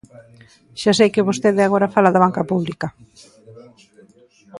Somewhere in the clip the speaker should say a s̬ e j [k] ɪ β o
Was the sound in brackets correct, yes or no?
yes